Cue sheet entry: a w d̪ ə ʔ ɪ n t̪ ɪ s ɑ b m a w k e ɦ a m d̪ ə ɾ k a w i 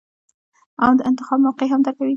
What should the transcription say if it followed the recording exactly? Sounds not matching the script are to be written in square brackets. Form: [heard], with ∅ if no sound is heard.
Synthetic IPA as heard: a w d̪ ə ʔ ɪ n t̪ ɪ [x] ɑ b m a w [q] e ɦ a m d̪ ə ɾ k a w i

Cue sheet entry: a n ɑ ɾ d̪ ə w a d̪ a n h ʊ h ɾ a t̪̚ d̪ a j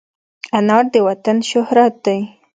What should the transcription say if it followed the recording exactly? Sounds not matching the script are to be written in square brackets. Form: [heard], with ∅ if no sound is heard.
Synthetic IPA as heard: a n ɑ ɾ d̪ ə w a [t̪] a n [ʃ] ʊ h ɾ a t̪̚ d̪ a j

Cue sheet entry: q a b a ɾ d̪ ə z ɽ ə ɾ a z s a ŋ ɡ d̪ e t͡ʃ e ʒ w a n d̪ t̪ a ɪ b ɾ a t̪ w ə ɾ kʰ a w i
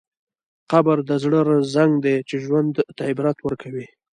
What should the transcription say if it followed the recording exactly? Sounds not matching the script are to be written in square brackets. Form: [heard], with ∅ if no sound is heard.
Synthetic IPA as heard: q a b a ɾ d̪ ə z ɽ ə ɾ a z [z] a ŋ ɡ d̪ e t͡ʃ e ʒ w a n d̪ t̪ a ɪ b ɾ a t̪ w ə ɾ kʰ a w i

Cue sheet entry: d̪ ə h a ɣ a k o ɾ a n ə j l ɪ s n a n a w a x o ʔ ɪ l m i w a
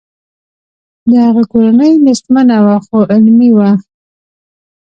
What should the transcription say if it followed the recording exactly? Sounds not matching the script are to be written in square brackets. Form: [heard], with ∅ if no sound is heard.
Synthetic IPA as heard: d̪ ə h a ɣ a k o ɾ a n ə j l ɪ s [m] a n a w a x o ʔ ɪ l m i w a

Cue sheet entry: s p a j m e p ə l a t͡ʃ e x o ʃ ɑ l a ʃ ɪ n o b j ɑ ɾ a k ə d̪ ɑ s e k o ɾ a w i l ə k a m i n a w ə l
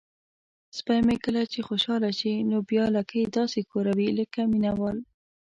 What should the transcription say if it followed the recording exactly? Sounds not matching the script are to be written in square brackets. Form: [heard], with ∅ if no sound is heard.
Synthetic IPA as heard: s p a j m e [k] ə l a t͡ʃ e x o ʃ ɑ l a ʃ [i] n o b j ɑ [l] a k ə d̪ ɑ s e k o ɾ a w i l ə k a m i n a w [ɑ] l

